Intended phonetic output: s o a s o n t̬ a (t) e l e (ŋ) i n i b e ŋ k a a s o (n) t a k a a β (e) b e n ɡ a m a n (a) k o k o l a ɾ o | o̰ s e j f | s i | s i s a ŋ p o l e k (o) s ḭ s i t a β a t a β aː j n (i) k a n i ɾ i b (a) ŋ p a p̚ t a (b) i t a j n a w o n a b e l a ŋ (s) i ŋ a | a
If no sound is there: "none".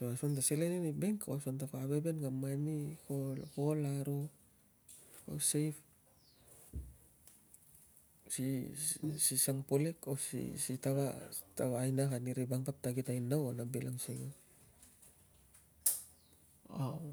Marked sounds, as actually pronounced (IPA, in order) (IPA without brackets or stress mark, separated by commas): s, n, n, e, i, o, a, a, ɡ, s